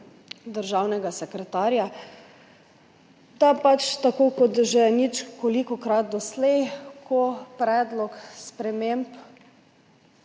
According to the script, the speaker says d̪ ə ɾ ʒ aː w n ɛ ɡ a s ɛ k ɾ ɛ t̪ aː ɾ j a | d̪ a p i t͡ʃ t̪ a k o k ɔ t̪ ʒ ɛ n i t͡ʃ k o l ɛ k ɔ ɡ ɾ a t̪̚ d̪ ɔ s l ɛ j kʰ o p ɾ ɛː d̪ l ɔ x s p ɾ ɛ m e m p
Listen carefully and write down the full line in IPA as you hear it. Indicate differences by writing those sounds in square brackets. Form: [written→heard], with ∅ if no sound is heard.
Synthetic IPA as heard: d̪ ə ɾ ʒ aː w n ɛ ɡ a s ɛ k ɾ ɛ t̪ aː ɾ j a | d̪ a p [i→a] t͡ʃ t̪ a k o k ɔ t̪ ʒ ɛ n i t͡ʃ k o l [ɛ→i] k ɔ [ɡ→k] ɾ a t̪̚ d̪ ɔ s l ɛ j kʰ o p ɾ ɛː d̪ l ɔ [x→k] s p ɾ ɛ m e m p